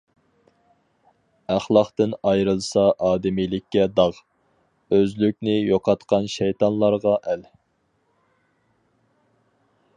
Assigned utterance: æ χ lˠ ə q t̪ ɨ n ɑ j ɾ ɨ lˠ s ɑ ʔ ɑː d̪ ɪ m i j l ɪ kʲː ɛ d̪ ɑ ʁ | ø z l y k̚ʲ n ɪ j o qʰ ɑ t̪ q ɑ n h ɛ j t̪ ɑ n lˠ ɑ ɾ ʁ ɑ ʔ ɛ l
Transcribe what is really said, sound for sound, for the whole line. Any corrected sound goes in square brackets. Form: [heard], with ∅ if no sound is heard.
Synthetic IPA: æ χ lˠ [ɑ] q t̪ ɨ n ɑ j ɾ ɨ lˠ s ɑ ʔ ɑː d̪ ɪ m i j l ɪ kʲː ɛ d̪ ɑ ʁ | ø z l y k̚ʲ n ɪ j o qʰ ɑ t̪ q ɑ n [ʃ] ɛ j t̪ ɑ n lˠ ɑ ɾ ʁ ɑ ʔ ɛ l